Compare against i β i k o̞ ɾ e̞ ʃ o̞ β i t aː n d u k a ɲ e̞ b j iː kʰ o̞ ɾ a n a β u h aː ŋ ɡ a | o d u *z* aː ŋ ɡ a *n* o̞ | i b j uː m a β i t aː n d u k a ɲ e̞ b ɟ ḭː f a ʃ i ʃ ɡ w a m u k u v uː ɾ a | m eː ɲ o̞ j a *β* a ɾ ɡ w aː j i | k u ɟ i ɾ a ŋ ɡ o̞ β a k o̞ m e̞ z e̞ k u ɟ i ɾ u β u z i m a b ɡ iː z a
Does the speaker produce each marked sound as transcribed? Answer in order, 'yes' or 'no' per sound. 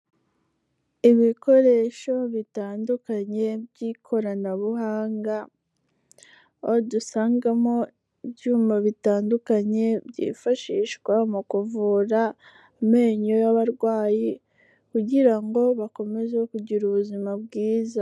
no, no, yes

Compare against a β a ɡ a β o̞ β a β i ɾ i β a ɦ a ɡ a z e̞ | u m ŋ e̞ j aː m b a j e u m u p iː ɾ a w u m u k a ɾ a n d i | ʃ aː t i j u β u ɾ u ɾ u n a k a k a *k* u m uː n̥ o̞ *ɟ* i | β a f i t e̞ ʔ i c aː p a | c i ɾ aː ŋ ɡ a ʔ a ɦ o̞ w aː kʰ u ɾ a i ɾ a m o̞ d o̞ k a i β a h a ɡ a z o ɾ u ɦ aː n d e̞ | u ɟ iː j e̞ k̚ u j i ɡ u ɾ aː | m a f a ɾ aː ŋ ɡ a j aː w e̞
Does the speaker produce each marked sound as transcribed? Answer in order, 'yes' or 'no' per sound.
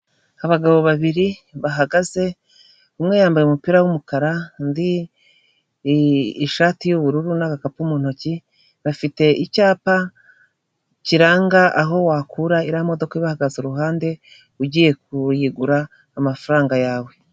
no, no

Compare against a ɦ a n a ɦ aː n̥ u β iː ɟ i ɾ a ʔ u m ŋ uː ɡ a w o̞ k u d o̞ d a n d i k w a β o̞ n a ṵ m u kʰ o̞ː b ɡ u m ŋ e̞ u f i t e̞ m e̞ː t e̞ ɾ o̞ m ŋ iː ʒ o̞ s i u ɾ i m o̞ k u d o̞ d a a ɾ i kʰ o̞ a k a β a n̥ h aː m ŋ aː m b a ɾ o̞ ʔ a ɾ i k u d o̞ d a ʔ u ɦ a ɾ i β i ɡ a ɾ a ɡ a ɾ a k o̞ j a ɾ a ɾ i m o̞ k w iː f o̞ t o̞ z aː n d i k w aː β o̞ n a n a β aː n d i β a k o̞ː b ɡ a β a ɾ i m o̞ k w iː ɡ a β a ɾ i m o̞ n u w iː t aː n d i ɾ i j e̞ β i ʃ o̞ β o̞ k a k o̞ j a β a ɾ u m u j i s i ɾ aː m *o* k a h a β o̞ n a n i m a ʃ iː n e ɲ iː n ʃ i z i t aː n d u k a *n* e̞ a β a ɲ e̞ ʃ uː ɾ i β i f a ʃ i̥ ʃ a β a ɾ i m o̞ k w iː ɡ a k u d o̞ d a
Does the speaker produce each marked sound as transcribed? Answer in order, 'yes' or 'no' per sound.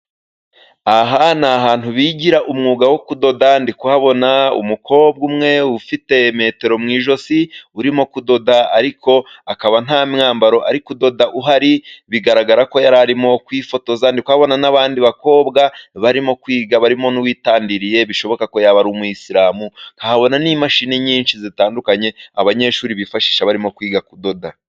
no, no

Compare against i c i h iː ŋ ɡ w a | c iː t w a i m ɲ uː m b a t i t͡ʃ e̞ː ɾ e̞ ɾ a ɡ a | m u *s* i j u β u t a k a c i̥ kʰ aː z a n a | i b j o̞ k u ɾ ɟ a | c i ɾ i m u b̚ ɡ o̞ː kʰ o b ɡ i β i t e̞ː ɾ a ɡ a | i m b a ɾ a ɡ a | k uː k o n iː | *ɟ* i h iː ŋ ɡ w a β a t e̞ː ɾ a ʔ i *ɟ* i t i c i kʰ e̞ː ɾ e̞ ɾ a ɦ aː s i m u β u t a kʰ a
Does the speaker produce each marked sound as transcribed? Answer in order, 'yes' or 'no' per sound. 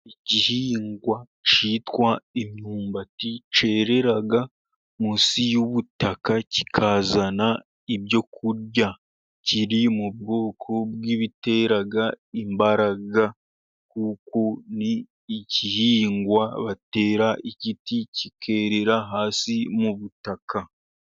yes, no, no

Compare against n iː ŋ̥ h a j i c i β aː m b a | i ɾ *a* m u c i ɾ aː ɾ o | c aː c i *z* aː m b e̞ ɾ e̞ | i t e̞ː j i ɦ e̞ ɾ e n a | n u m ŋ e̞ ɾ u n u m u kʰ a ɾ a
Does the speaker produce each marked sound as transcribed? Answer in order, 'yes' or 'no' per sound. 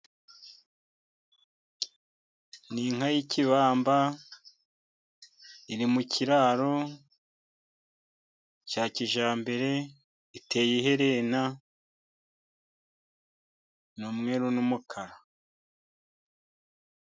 no, no

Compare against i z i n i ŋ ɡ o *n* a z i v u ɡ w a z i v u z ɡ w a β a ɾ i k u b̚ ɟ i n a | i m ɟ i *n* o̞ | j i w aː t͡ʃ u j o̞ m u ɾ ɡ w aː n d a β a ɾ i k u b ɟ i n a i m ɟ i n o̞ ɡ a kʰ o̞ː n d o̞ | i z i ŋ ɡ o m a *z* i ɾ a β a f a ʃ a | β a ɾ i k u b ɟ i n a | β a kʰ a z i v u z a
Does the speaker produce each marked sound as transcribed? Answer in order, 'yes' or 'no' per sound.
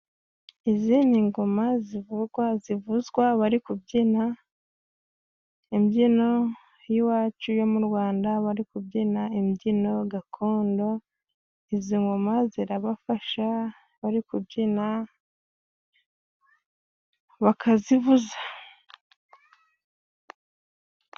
no, yes, yes

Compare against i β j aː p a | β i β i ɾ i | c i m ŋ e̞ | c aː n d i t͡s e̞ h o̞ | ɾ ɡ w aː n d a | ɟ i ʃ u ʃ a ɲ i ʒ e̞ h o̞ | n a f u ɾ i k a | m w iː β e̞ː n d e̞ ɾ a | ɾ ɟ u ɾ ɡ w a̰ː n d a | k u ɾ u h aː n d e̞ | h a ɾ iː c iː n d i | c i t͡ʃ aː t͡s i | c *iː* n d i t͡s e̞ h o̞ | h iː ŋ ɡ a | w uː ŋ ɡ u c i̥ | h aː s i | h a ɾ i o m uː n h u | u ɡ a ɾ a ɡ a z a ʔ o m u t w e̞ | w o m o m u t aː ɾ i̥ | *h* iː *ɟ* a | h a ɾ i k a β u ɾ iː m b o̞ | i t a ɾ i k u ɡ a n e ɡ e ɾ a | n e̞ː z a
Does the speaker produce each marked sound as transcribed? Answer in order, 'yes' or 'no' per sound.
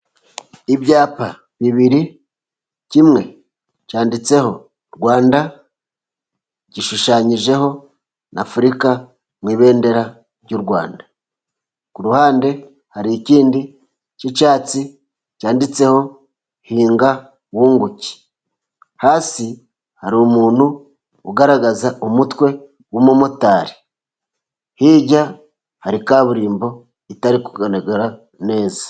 no, yes, yes

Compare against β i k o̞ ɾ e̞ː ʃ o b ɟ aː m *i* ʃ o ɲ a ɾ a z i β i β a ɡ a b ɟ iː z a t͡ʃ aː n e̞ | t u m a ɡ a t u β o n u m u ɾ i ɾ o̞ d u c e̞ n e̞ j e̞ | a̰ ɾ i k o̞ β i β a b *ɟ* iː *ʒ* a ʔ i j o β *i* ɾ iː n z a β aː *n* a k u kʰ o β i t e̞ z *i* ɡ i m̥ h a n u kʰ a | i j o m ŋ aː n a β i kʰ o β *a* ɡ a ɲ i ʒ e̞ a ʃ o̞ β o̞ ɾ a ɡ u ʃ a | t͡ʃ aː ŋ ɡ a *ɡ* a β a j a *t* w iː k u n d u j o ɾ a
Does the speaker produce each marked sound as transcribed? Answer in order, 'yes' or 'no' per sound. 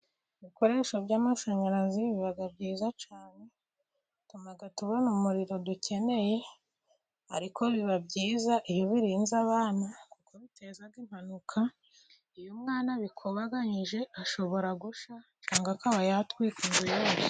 no, yes, no, yes, yes, no, yes, no, yes

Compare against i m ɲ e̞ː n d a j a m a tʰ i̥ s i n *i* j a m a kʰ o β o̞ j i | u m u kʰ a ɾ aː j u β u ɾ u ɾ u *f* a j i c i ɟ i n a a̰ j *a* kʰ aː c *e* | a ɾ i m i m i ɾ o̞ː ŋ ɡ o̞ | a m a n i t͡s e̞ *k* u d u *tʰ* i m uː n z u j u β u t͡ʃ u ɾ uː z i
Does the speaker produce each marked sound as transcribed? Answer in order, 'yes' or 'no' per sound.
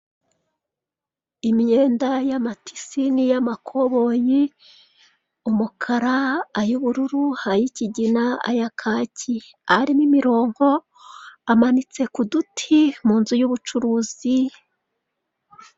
yes, no, yes, no, yes, yes

